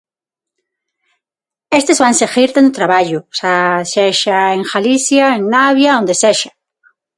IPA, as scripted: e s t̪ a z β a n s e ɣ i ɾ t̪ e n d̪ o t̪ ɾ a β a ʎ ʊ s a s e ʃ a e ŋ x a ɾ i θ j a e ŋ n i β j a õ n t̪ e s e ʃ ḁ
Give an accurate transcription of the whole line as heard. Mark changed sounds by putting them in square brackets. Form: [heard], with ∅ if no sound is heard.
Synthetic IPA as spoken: e s t̪ [e] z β a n s e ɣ i ɾ t̪ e n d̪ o t̪ ɾ a β a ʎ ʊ s a s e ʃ a e ŋ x a [l] i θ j a e ŋ n [a] β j a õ n [d̪] e s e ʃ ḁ